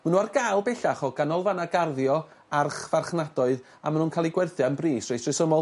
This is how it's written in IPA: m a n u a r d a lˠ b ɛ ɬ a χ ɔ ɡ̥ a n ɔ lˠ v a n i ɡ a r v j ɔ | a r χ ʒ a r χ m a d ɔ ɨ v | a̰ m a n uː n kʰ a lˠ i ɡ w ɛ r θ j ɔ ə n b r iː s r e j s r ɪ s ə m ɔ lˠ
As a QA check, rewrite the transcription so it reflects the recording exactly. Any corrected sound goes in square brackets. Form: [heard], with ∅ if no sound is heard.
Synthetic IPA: m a n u a r [ɡ] a lˠ b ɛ ɬ a χ ɔ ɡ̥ a n ɔ lˠ v a n [a] ɡ a r [ð] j ɔ | a r χ [v] a r χ [n] a d ɔ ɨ [ð] | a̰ m a n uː n kʰ a lˠ i ɡ w ɛ r θ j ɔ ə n b r iː s r e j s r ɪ s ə m ɔ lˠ